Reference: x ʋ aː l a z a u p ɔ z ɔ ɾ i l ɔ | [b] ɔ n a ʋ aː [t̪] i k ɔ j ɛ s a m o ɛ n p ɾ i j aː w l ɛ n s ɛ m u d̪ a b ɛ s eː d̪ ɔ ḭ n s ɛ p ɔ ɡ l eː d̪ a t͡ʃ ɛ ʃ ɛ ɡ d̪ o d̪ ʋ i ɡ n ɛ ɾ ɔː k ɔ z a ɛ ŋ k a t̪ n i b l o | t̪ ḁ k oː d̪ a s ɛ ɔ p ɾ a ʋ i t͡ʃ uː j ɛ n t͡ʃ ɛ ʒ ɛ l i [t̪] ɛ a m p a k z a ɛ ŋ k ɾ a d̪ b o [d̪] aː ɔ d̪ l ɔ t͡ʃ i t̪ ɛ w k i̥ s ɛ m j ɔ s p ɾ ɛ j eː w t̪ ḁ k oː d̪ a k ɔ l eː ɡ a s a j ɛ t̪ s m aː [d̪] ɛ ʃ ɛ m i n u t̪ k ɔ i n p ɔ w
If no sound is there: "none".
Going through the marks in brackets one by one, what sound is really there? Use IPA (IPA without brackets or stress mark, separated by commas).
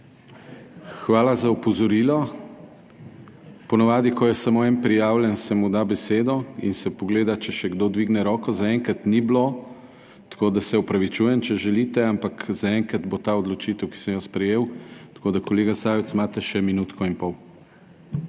p, d̪, t̪, t̪, t̪